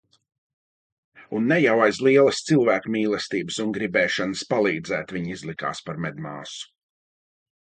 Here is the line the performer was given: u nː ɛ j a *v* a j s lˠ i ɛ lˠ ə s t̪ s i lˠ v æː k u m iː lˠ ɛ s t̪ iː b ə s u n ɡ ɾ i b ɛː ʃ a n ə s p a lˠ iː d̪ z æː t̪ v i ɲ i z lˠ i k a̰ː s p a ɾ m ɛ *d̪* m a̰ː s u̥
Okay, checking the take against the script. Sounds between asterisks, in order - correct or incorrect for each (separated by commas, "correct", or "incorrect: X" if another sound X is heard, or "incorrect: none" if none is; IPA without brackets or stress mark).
incorrect: w, correct